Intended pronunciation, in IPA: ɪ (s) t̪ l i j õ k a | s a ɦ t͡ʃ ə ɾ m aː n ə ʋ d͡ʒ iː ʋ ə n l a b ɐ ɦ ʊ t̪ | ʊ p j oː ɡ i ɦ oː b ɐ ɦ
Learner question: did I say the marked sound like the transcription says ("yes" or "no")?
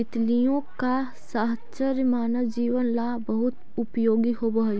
no